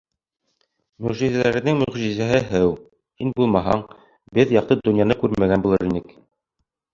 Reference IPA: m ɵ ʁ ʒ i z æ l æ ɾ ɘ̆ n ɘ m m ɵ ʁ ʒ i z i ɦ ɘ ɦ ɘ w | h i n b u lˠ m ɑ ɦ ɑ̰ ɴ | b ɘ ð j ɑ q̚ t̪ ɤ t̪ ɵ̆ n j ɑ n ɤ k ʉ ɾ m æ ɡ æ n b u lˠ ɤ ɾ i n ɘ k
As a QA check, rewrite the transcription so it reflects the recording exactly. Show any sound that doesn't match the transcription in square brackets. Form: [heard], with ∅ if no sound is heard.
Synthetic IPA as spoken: m ɵ ʁ ʒ i z æ l æ ɾ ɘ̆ n ɘ [ŋ] m ɵ ʁ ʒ i z [æ] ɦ ɘ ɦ ɘ w | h i n b u lˠ m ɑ ɦ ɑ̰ ɴ | b ɘ ð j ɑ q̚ t̪ ɤ [d̪] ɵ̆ n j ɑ n ɤ k ʉ ɾ m æ ɡ æ n b u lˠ ɤ ɾ i n ɘ k